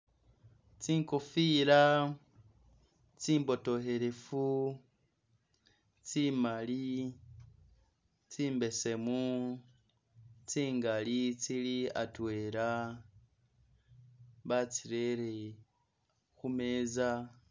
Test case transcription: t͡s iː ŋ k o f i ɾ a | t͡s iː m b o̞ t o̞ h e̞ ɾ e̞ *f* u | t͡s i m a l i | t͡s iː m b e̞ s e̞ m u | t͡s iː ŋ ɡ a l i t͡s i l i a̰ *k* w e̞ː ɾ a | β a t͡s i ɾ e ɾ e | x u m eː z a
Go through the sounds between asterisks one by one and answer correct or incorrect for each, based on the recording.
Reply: correct, incorrect: t

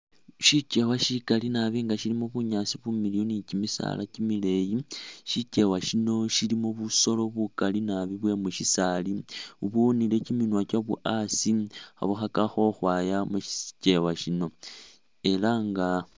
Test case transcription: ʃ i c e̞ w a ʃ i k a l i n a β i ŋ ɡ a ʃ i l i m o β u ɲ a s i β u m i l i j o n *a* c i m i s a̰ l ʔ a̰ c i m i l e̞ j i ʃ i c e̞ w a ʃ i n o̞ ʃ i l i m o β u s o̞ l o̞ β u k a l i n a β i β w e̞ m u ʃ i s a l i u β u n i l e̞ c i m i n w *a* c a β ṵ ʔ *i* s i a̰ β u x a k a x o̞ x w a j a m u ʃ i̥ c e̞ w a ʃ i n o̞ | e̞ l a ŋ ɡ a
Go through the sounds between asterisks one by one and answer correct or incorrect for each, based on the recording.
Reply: incorrect: i, correct, incorrect: a

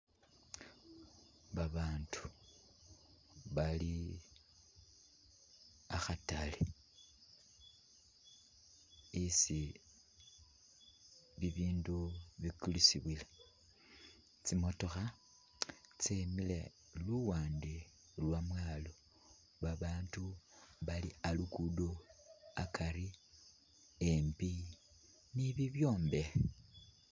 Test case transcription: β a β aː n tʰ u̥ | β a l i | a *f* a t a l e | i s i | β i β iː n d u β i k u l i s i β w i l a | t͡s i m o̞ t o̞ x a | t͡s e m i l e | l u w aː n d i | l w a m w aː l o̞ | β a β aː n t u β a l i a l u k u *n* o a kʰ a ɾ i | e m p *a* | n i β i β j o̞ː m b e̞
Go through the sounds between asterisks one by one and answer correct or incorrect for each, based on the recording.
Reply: incorrect: x, incorrect: d, incorrect: i

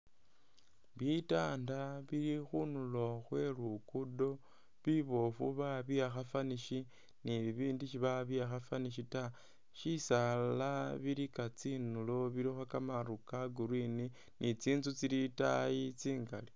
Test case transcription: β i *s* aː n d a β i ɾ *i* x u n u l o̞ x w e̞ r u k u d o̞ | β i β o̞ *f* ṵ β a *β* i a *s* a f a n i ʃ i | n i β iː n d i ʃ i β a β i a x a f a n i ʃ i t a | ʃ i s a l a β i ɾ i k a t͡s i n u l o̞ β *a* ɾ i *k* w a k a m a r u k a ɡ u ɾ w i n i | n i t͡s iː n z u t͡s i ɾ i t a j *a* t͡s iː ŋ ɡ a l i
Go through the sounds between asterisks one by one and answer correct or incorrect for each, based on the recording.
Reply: incorrect: t, correct, correct, correct, incorrect: x, incorrect: i, incorrect: x, incorrect: i

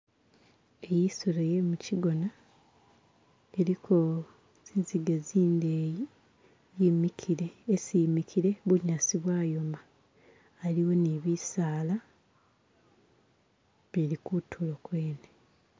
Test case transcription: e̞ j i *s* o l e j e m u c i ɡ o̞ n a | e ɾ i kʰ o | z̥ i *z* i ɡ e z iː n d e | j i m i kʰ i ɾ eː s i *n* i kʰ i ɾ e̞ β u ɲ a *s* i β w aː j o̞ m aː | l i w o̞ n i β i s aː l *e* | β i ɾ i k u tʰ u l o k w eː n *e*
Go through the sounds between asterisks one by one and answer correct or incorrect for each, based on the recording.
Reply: correct, correct, incorrect: m, correct, incorrect: a, correct

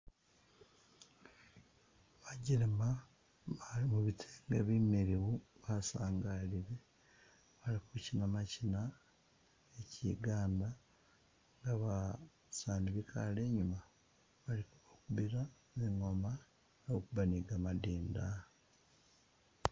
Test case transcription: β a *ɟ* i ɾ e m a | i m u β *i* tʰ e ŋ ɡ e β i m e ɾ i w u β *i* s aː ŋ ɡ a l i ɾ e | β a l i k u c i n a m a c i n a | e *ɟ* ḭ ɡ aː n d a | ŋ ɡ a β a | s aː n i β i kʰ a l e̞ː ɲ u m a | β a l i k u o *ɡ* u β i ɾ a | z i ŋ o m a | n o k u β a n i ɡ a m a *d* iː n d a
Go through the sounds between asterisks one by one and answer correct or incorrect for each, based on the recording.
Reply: correct, correct, incorrect: a, incorrect: c, incorrect: k, correct

